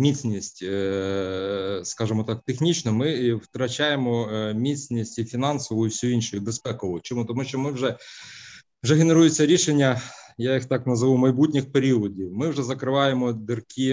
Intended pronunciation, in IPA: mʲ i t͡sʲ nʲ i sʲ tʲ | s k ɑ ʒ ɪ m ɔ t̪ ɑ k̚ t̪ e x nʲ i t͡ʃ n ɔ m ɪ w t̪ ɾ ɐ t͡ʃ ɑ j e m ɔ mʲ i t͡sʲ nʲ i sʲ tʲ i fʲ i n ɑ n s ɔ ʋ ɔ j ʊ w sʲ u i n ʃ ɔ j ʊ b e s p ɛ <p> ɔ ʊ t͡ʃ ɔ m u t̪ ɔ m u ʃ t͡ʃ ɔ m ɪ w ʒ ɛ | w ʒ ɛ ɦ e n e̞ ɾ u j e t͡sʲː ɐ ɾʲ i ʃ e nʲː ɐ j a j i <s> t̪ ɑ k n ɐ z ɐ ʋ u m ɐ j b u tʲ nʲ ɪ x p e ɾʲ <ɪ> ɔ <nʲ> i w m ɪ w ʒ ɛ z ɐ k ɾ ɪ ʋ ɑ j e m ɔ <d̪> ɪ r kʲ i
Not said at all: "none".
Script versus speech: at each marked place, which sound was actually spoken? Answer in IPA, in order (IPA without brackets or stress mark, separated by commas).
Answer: k, x, i, dʲ, d̪